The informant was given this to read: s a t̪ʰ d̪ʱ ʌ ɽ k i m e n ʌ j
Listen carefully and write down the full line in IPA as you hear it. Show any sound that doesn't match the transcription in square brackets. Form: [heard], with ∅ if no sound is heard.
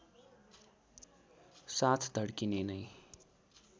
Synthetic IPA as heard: s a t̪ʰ d̪ʱ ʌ ɽ k i [n] e n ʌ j